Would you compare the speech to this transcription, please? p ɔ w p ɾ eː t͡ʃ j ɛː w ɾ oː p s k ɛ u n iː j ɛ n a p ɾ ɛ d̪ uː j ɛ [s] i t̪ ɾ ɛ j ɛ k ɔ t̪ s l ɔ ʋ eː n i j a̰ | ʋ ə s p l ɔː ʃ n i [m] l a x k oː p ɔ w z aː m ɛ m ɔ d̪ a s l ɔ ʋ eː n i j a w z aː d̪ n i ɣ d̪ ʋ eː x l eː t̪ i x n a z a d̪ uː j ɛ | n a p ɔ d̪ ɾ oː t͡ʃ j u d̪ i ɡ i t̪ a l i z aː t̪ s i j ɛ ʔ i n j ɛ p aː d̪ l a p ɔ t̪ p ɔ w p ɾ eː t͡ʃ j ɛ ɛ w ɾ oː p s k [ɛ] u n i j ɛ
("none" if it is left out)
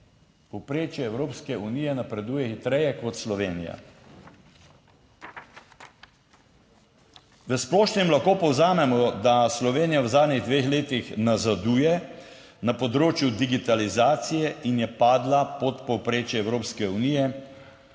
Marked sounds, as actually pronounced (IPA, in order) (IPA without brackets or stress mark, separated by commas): x, m, ɛ